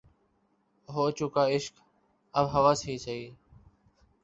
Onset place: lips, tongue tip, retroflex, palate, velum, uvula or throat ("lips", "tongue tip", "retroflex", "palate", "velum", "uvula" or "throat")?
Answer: throat